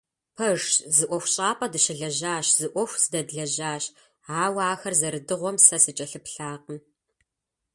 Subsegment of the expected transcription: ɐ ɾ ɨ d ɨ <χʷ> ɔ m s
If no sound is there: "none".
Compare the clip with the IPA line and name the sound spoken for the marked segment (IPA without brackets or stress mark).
ʁʷ